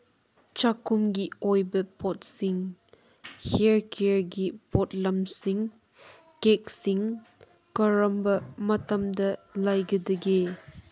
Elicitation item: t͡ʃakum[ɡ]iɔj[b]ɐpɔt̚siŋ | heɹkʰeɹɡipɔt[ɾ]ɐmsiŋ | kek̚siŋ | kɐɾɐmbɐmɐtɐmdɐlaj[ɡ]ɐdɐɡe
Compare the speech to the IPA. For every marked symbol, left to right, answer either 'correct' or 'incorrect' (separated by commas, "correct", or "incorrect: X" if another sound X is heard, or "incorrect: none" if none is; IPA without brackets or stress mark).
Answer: correct, correct, incorrect: l, correct